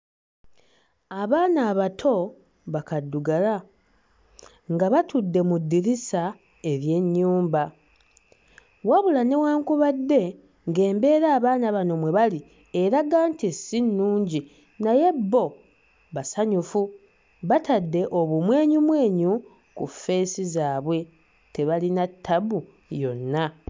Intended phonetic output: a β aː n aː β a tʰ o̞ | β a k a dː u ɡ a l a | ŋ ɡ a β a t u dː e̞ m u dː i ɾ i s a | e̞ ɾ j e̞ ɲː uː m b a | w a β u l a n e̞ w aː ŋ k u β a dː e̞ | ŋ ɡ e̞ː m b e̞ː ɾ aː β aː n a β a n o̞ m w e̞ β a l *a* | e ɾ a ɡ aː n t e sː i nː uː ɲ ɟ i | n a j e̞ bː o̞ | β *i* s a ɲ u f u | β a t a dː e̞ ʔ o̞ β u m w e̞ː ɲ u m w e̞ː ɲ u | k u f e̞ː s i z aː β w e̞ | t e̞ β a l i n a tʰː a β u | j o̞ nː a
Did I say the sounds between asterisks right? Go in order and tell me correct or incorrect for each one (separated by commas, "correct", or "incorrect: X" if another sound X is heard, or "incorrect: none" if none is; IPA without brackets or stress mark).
incorrect: i, incorrect: a